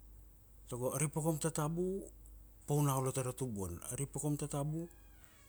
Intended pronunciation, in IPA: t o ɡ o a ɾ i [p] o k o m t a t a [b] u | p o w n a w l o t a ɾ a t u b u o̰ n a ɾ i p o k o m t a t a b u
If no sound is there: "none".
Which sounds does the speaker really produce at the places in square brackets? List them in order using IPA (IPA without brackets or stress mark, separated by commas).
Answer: p, b